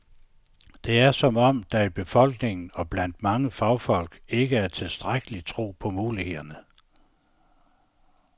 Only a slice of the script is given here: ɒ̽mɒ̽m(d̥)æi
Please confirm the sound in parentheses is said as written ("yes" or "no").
yes